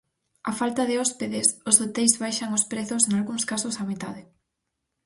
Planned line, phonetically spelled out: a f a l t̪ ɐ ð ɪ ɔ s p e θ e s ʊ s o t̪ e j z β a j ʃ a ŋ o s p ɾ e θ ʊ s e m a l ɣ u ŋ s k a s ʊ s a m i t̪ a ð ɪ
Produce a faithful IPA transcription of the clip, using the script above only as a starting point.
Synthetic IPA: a f a l t̪ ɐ ð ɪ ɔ s p e ð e s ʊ s o t̪ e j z β a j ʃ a ŋ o s p ɾ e θ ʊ s e ŋ a l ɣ u ŋ s k a s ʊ s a m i t̪ a ð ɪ